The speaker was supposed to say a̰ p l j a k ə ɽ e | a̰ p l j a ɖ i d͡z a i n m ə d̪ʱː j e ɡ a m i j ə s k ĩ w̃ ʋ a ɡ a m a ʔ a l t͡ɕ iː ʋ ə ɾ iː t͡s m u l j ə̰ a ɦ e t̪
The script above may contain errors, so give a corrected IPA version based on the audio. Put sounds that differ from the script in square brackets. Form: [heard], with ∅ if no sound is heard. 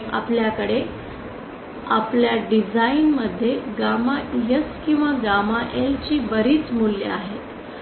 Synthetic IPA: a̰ p l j a k ə ɽ e | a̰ p l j a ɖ i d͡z a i n m ə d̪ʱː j e ɡ a m [a] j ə s k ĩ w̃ ʋ a ɡ a m a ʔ [e] l t͡ɕ iː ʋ ə ɾ iː t͡s m u l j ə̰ a ɦ e t̪